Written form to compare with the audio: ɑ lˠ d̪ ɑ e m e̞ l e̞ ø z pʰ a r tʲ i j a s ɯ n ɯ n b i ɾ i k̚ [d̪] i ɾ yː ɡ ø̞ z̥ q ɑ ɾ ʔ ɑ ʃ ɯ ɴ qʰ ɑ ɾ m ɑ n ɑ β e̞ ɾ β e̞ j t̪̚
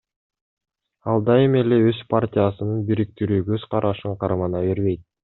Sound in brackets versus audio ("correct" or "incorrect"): incorrect